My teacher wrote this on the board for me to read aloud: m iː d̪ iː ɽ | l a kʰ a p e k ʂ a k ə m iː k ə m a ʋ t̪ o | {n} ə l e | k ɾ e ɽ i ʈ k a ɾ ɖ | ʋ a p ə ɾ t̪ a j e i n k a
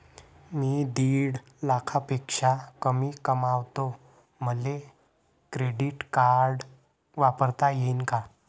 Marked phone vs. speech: incorrect: m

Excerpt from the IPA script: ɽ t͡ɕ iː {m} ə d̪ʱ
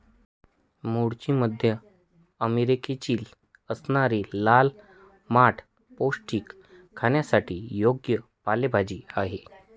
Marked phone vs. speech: correct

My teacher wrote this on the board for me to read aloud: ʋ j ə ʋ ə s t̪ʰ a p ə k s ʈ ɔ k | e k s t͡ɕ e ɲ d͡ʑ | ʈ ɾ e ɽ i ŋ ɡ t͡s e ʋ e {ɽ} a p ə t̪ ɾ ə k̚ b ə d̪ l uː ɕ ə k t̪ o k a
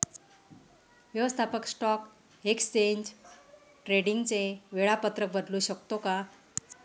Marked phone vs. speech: incorrect: ɭ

